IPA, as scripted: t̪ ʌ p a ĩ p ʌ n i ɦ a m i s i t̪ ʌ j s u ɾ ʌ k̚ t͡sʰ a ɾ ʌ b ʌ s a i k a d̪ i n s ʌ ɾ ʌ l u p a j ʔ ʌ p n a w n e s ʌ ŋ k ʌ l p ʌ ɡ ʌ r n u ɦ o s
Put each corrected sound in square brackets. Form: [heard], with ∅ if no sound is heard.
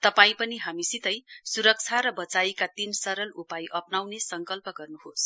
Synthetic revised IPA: t̪ ʌ p a ĩ p ʌ n i ɦ a m i s i t̪ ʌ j s u ɾ ʌ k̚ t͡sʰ a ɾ ʌ b ʌ [t͡s] a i k a [t̪] i n s ʌ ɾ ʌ l u p a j ʔ ʌ p n a w n e s ʌ ŋ k ʌ l p ʌ ɡ ʌ r n u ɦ o s